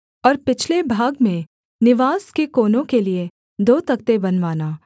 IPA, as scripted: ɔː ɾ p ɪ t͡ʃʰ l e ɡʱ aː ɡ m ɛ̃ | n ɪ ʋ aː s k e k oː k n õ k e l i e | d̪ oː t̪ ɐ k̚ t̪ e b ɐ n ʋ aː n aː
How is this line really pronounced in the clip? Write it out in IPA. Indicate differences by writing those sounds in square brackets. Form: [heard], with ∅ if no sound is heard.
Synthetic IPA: ɔː ɾ p ɪ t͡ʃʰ l e [bʱ] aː ɡ m [ẽ] | n ɪ ʋ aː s k e k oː [∅] n õ k e l i e | d̪ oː t̪ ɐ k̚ t̪ e b ɐ n ʋ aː n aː